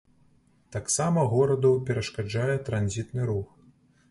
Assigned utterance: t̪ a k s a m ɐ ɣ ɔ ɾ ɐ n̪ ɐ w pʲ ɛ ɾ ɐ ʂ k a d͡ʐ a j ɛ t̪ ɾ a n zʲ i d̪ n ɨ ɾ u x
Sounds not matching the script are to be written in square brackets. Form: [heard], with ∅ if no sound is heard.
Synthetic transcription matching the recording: t̪ a k s a m ɐ ɣ ɔ ɾ ɐ [d̪] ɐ w pʲ ɛ ɾ ɐ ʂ k a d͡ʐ a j ɛ t̪ ɾ a n zʲ i [t̪] n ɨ ɾ u x